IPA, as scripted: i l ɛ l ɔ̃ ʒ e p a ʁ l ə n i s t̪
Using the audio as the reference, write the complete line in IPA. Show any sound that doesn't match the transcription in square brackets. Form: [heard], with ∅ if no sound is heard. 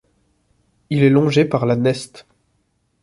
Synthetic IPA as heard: i l ɛ l ɔ̃ ʒ e p a ʁ l [a] n [ɛ] s t̪